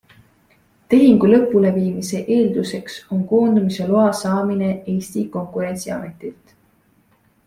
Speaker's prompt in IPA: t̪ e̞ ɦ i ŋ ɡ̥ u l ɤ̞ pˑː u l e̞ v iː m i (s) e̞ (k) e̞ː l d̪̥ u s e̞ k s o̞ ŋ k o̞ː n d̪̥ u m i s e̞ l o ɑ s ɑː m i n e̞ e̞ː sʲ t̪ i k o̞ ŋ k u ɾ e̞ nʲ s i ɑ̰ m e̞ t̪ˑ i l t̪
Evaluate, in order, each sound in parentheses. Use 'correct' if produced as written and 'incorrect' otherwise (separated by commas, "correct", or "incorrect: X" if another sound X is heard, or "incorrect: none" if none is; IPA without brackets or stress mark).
correct, incorrect: ʔ